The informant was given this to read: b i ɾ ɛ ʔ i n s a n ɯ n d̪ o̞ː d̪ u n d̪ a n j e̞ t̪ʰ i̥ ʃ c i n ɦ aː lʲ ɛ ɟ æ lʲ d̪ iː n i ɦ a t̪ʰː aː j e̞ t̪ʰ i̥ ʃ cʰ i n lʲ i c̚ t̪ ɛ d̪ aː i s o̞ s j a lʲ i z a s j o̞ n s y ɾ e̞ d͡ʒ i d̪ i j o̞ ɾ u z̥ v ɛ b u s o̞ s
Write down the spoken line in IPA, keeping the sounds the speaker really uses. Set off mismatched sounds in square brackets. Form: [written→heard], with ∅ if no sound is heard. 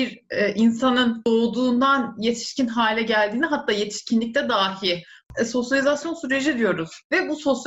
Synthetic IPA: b i ɾ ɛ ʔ i n s a n ɯ n d̪ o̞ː d̪ [u→uː] n d̪ a n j e̞ t̪ʰ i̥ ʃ c i n ɦ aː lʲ ɛ ɟ æ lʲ d̪ iː n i ɦ a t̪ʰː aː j e̞ t̪ʰ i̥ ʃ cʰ i n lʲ i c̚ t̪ ɛ d̪ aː i s o̞ s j a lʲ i z a s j o̞ n s y ɾ e̞ d͡ʒ i d̪ i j o̞ ɾ u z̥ v ɛ b u s o̞ s